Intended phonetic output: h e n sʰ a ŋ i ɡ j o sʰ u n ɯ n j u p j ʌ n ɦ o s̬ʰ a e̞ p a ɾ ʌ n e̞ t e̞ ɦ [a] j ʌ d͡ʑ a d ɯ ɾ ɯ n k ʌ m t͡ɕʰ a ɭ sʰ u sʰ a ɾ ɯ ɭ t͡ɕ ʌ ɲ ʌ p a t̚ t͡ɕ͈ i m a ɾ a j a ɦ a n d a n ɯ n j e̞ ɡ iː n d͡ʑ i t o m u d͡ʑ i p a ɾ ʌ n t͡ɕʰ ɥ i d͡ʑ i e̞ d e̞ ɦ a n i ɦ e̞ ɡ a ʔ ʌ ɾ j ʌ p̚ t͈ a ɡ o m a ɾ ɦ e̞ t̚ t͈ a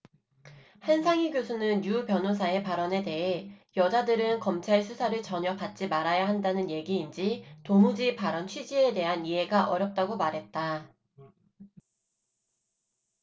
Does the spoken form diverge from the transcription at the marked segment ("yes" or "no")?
yes